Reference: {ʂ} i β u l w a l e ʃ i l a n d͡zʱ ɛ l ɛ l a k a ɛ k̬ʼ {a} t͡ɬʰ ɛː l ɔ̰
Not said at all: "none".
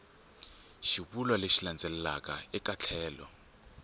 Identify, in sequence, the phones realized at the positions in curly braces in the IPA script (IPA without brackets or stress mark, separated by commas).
ʃ, a